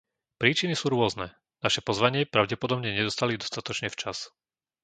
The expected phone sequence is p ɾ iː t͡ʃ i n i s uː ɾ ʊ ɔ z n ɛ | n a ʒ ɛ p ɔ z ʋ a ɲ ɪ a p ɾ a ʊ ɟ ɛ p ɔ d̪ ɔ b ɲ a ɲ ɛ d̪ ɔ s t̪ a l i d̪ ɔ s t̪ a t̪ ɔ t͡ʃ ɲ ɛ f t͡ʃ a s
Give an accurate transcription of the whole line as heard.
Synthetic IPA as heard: p ɾ iː t͡ʃ i n i s uː ɾ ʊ ɔ z n ɛ | n a ʃ ɛ p ɔ z ʋ a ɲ ɪ ɛ p ɾ a ʊ ɟ ɛ p ɔ d̪ ɔ b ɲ ɛ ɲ ɛ d̪ ɔ s t̪ a l i d̪ ɔ s t̪ a t̪ ɔ t͡ʃ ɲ ɛ f t͡ʃ a s

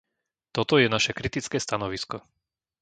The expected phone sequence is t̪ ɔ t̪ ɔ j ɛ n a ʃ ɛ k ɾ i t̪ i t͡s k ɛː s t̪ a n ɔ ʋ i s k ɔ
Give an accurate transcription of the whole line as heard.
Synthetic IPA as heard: t̪ ɔ t̪ ɔ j ɛ n a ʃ ɛ k ɾ i t̪ i t͡s k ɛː s t̪ a n ɔ ʋ i s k ɔ

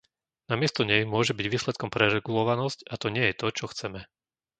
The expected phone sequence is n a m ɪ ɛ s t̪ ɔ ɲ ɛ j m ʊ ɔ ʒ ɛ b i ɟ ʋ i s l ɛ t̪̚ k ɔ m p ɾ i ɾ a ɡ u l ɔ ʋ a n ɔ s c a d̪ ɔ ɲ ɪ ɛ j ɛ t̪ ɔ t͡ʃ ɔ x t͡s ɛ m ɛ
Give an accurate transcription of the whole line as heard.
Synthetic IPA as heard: n a m ɪ ɛ s t̪ ɔ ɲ ɛ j m ʊ ɔ ʒ ɛ b i ɟ ʋ iː s l ɛ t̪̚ k ɔ m p ɾ ɛ ɾ ɛ ɡ u l ɔ ʋ a n ɔ s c a t̪ ɔ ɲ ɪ ɛ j ɛ t̪ ɔ t͡ʃ ɔ x t͡s ɛ m ɛ

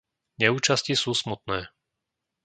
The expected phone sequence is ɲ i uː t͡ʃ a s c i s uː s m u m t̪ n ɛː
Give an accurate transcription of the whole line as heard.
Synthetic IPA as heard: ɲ ɛ uː t͡ʃ a s c i s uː s m u t̪ n ɛː

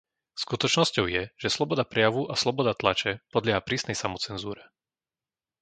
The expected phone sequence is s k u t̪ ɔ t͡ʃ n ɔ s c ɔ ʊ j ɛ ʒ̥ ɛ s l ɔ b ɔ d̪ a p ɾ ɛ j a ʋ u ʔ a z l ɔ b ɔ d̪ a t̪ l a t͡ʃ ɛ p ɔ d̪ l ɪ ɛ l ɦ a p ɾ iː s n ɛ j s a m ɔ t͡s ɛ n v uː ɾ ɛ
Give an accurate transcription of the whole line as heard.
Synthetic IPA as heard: s k u t̪ ɔ t͡ʃ n ɔ s c ɔ ʊ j ɛ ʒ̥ ɛ s l ɔ b ɔ d̪ a p ɾ ɛ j a ʋ u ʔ a s l ɔ b ɔ d̪ a t̪ l a t͡ʃ ɛ p ɔ d̪ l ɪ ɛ ɦ a p ɾ iː s n ɛ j s a m ɔ t͡s ɛ n z uː ɾ ɛ

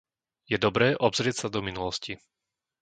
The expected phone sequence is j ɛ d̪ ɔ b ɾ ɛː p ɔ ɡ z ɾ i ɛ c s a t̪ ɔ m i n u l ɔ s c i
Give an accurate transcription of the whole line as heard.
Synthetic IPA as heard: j ɛ d̪ ɔ b ɾ ɛː ʔ ɔ b z ɾ ɪ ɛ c s a d̪ ɔ m i n u l ɔ s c i

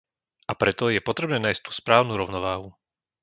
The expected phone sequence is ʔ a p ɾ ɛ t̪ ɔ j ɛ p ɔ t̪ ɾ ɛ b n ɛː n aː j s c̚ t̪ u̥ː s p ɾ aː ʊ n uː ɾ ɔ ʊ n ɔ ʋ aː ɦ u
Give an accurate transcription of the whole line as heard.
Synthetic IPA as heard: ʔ a p ɾ ɛ t̪ ɔ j ɛ p ɔ t̪ ɾ ɛ b n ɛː n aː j s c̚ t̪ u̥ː s p ɾ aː ʊ n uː ɾ ɔ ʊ n ɔ ʋ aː ɦ u

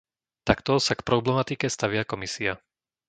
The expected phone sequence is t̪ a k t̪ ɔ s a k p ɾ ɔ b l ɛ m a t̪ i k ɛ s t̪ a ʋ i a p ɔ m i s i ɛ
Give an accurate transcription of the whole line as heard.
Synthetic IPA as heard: t̪ a k t̪ ɔ s a k p ɾ ɔ b l ɛ m a t̪ i k ɛ s t̪ a ʋ ɪ a k ɔ m i s i a

